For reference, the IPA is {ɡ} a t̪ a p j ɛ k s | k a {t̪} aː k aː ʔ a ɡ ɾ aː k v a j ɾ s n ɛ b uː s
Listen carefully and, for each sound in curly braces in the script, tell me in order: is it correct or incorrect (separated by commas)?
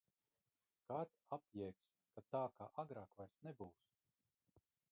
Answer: incorrect, correct